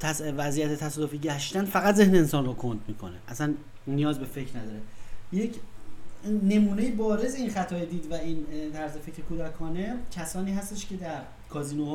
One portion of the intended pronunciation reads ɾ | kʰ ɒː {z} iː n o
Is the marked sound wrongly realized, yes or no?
no